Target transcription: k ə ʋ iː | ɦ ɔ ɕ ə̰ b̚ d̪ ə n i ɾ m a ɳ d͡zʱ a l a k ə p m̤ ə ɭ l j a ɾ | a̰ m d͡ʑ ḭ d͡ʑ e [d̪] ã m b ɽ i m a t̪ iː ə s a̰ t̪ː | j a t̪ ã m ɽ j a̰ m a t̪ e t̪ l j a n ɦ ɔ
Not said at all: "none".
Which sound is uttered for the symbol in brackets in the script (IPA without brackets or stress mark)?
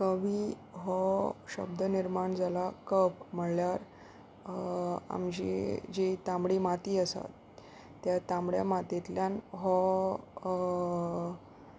t̪